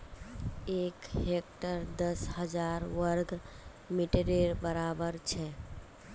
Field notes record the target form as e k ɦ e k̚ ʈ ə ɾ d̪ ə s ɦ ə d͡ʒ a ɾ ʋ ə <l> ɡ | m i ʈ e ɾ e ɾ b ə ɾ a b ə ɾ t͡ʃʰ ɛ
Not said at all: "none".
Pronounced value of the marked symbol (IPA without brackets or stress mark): ɾ